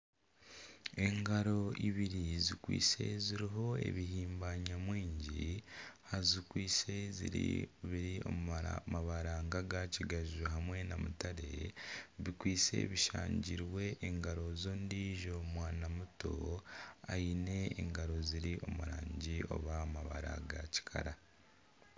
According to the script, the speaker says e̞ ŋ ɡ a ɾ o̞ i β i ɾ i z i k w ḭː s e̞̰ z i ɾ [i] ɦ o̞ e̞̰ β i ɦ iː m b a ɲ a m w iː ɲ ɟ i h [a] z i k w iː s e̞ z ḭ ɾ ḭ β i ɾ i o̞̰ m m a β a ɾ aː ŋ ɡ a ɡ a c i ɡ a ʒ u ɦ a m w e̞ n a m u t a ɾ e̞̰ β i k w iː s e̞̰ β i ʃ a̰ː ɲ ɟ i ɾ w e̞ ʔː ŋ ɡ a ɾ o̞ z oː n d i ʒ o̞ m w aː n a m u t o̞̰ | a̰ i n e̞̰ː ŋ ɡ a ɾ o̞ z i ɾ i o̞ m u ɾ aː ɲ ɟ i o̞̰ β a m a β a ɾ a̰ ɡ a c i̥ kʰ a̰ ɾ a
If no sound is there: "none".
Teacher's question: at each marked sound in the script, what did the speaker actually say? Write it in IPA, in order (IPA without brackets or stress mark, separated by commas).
i, a